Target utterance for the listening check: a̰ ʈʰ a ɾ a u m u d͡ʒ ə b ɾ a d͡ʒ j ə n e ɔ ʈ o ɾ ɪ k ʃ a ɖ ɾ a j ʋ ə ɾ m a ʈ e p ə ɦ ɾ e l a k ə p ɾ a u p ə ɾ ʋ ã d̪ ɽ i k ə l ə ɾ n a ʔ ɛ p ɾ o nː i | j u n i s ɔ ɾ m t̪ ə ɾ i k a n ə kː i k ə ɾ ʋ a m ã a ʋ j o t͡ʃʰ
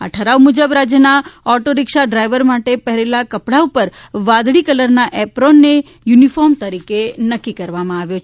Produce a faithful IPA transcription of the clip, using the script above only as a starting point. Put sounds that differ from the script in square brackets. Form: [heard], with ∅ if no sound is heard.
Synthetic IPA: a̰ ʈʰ [ə] ɾ a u m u d͡ʒ ə b ɾ a d͡ʒ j ə n [a] ɔ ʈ o ɾ ɪ k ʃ a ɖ ɾ a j ʋ ə ɾ m a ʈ e p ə ɦ ɾ e l a k ə p [ɽ] a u p ə ɾ ʋ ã d̪ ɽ i k ə l ə ɾ n a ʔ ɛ p ɾ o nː [e] | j u n i [f] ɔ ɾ m t̪ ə ɾ i k [e] n ə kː i k ə ɾ ʋ a m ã a ʋ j o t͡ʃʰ